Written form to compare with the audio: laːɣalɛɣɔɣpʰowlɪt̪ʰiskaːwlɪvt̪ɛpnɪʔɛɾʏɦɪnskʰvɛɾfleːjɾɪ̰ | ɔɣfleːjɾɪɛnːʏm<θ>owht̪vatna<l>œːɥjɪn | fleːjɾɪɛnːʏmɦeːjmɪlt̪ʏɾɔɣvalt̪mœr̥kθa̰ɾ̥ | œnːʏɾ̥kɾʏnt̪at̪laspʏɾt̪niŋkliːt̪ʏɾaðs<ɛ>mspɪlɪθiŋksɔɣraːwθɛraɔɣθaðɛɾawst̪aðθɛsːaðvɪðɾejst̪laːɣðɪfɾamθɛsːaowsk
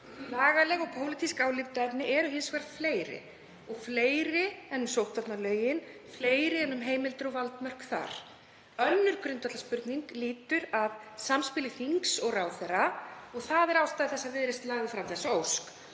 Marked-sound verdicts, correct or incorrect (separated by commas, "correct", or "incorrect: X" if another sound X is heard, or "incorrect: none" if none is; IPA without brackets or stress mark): incorrect: s, correct, incorrect: a